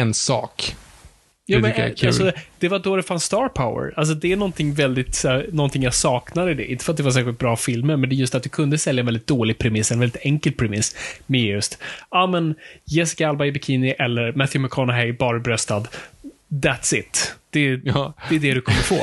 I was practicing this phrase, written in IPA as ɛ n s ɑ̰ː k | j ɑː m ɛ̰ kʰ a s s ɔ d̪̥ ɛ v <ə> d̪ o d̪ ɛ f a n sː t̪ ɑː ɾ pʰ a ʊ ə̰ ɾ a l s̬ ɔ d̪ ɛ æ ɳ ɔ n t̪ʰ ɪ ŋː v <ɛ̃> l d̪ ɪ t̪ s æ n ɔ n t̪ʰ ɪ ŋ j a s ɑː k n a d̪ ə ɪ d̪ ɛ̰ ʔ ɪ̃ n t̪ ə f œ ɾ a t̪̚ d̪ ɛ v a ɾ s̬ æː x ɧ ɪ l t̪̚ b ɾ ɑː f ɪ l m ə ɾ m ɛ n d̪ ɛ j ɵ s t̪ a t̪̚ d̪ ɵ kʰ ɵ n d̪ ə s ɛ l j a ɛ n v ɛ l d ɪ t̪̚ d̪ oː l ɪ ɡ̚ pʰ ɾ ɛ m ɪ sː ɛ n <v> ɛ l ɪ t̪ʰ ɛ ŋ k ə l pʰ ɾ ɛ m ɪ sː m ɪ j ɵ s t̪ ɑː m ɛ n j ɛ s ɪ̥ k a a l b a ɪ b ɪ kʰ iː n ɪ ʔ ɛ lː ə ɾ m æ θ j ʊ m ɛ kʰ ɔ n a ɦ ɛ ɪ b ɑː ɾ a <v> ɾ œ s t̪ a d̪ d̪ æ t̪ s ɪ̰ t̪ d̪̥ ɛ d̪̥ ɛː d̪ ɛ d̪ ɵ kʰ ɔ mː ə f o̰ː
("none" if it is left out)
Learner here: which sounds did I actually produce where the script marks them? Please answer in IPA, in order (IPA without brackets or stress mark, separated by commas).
a, ɛ, v, b